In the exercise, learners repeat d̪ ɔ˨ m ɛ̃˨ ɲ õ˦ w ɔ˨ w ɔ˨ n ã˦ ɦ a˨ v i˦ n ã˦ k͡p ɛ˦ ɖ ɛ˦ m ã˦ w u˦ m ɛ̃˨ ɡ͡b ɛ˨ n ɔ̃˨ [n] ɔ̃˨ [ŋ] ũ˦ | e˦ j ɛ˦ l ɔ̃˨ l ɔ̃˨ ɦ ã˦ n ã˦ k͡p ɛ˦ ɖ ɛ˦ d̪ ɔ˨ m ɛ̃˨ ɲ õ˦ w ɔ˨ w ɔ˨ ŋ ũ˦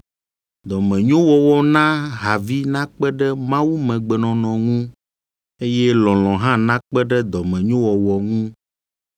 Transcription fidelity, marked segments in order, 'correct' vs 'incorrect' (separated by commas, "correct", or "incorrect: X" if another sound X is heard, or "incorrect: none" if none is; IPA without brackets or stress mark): correct, correct